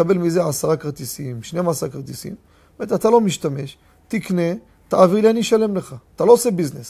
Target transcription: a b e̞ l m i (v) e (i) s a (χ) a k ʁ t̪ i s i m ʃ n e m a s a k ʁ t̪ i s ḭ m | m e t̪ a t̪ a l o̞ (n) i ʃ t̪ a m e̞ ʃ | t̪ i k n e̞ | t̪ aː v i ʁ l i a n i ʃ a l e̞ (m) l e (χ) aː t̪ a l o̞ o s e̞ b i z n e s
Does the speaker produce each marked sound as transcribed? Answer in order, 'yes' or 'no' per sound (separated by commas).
no, no, no, no, yes, yes